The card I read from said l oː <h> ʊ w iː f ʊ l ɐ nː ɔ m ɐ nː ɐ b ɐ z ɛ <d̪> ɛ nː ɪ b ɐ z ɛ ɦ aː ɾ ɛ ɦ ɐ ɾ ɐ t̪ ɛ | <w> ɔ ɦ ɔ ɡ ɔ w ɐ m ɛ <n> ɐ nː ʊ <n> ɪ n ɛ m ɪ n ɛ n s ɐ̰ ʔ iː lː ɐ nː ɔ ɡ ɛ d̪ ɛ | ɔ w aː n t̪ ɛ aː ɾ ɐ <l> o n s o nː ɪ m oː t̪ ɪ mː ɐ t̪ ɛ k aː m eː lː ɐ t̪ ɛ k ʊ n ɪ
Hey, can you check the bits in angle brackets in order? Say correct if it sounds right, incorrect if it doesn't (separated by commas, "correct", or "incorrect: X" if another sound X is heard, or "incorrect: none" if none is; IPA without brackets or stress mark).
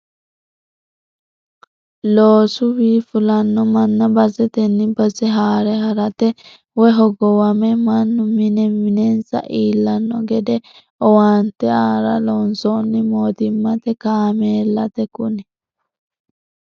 incorrect: s, incorrect: t̪, correct, incorrect: m, incorrect: m, correct